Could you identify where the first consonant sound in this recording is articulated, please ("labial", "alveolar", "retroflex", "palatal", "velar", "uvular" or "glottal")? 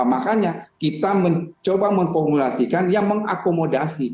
labial